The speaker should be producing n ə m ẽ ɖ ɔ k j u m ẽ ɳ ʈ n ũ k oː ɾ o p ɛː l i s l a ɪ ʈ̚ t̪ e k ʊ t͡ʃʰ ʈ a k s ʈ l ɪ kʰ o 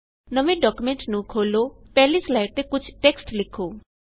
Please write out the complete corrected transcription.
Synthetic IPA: n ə m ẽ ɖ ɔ k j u m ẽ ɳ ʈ n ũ kʰ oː l o p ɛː l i s l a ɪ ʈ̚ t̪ e k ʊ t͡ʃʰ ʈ e k s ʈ l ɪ kʰ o